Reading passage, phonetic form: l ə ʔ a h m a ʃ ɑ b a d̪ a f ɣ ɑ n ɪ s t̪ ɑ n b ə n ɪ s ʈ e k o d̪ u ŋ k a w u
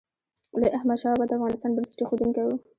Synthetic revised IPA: l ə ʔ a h m a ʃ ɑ b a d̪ a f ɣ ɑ n ɪ s t̪ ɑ n b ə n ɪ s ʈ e x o d̪ u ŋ k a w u